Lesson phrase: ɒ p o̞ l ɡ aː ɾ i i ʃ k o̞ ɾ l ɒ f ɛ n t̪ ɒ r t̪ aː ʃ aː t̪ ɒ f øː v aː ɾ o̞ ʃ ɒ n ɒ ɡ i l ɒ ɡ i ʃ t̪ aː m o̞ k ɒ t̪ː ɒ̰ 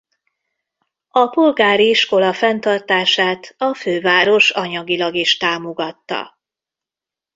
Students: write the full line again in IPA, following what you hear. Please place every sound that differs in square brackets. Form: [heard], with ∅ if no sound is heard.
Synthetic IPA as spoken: ɒ p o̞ l ɡ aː ɾ i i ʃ k o̞ [∅] l ɒ f ɛ n t̪ ɒ r t̪ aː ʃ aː t̪ ɒ f øː v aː ɾ o̞ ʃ ɒ [ɲ] ɒ ɡ i l ɒ ɡ i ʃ t̪ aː m o̞ [ɡ] ɒ t̪ː ɒ̰